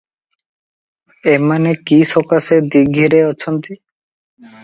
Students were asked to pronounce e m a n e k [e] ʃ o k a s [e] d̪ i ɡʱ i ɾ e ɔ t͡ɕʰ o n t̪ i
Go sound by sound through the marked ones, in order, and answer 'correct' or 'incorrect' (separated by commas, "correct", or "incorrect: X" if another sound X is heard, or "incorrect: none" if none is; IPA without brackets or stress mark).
incorrect: i, correct